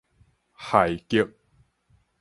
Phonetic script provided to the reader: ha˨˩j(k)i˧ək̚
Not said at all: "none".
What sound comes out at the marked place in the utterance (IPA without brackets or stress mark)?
k